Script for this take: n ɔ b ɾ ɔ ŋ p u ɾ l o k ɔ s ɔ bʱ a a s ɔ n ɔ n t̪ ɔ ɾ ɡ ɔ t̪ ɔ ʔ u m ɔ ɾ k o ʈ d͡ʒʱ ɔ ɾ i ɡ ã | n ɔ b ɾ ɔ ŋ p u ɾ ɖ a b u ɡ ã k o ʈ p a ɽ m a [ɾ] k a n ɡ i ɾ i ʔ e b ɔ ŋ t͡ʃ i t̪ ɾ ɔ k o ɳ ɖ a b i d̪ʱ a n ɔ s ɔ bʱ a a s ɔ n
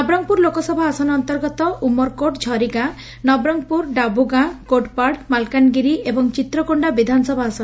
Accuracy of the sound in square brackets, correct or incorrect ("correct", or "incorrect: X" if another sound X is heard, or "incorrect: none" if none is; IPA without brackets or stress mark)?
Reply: incorrect: l